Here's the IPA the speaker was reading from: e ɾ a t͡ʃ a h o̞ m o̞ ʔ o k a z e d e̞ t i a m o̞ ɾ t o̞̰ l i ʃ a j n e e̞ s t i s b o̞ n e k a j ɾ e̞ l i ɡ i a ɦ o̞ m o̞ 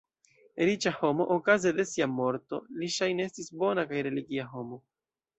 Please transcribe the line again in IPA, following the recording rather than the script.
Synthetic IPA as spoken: e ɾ i t͡ʃ a h o̞ m o̞ ʔ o k a z e d e̞ s i a m o̞ ɾ t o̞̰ l i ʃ a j n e e̞ s t i s b o̞ n a k a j ɾ e̞ l i ɡ i a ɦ o̞ m o̞